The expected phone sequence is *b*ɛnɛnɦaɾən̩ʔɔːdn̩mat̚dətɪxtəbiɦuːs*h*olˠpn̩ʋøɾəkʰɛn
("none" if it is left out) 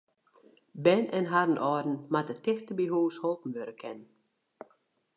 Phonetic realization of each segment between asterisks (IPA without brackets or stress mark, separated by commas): b, h